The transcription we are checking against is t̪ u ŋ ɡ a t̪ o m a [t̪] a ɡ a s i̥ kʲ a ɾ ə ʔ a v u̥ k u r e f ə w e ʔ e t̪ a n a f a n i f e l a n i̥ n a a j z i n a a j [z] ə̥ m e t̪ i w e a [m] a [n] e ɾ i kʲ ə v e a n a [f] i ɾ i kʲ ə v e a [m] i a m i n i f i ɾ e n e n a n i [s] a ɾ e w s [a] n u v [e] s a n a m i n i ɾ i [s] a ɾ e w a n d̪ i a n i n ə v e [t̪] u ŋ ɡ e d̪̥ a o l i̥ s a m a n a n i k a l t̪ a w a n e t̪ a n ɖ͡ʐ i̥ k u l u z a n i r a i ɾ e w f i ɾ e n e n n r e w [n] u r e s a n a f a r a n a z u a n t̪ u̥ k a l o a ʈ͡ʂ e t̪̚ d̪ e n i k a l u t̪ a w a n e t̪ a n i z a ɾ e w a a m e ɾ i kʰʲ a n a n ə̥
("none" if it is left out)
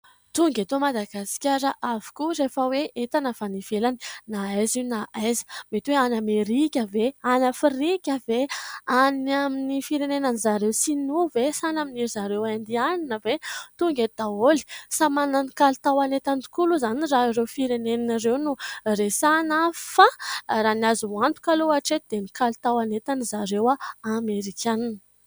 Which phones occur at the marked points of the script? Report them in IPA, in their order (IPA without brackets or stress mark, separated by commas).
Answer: d̪, z, n, m, f, n, z, i, e, z, t̪, n